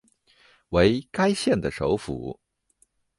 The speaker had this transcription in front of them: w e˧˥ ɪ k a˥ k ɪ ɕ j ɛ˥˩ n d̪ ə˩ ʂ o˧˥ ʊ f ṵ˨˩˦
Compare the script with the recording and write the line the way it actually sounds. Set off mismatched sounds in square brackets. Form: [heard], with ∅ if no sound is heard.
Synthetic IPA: w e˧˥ ɪ k a˥ [∅] ɪ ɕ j ɛ˥˩ n d̪ ə˩ ʂ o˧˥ ʊ f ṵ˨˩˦